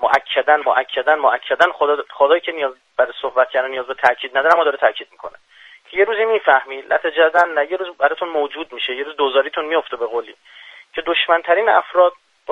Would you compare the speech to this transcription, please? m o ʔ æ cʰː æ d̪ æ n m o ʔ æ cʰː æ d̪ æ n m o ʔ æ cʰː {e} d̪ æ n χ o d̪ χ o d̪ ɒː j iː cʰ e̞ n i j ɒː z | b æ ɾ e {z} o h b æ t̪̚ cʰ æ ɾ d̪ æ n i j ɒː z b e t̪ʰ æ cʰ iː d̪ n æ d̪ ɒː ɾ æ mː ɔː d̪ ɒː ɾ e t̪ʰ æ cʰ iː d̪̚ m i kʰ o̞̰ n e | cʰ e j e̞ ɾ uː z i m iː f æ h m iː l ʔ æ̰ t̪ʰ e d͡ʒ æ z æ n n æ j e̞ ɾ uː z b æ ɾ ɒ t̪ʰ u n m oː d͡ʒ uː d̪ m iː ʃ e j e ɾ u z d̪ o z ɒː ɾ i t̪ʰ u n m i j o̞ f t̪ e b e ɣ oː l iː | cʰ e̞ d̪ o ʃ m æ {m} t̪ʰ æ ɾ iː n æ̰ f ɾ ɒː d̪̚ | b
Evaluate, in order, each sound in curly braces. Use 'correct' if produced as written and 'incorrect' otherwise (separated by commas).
incorrect, incorrect, incorrect